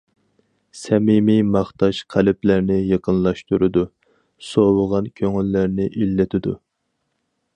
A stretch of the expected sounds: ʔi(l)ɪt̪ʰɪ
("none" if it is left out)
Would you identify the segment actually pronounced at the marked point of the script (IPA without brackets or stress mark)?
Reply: lː